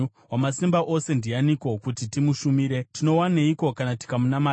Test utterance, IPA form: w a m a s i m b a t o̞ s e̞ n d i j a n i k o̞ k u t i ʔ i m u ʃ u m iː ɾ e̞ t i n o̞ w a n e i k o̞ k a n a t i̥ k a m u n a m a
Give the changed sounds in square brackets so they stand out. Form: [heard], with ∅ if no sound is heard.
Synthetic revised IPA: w a m a s i m b a [ʔ] o̞ s e̞ n d i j a n i k o̞ k u t i [t] i m u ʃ u m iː ɾ e̞ t i n o̞ w a n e i k o̞ k a n a t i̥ k a m u n a m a